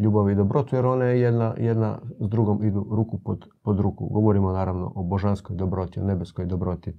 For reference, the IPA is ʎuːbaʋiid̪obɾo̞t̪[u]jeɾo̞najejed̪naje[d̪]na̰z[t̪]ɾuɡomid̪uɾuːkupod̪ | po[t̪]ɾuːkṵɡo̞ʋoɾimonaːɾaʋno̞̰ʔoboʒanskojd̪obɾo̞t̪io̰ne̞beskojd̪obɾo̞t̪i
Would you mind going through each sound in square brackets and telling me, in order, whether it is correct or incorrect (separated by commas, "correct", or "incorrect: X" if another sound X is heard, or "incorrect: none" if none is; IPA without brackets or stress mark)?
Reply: correct, correct, incorrect: d̪, incorrect: d̪